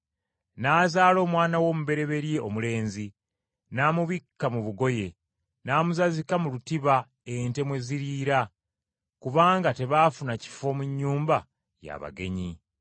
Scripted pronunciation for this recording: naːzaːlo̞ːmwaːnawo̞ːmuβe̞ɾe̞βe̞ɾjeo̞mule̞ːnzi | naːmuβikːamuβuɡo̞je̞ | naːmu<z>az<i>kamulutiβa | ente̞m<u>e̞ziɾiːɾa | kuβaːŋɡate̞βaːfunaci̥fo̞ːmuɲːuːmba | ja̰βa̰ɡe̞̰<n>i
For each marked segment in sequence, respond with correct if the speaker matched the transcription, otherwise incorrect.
correct, correct, incorrect, incorrect

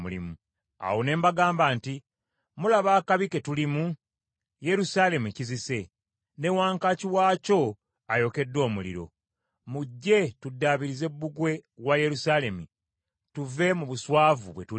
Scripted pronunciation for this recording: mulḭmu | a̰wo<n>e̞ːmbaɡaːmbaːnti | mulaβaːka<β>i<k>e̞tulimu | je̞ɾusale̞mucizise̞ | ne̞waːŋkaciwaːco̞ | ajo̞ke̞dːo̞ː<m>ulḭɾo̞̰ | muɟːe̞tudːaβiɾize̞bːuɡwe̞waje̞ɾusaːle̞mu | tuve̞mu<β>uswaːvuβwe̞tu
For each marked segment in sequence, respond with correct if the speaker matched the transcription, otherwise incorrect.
correct, correct, correct, correct, correct

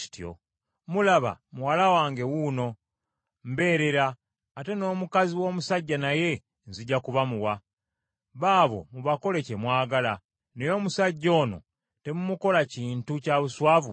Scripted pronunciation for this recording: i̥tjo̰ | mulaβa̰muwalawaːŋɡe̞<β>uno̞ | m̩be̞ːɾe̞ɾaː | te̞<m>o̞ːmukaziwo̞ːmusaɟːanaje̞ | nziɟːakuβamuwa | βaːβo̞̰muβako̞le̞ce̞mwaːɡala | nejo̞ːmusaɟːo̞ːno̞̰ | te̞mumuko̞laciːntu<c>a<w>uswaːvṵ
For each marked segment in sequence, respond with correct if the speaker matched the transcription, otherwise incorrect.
incorrect, incorrect, correct, incorrect

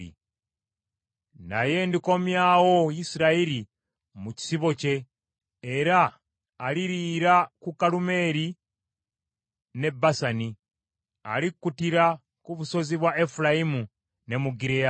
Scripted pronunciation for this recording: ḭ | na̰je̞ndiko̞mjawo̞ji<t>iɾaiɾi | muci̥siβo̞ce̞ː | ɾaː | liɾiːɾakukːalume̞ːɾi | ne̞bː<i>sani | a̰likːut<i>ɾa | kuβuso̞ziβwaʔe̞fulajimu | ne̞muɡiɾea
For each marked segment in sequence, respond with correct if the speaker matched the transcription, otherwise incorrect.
incorrect, incorrect, correct

